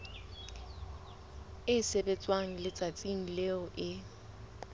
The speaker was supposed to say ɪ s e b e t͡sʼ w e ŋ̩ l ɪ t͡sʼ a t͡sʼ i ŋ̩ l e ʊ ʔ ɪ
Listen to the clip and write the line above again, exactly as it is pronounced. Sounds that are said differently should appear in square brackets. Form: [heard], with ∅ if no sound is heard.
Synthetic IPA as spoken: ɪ s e b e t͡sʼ w [a] ŋ̩ l ɪ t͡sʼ a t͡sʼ i ŋ̩ l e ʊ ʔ ɪ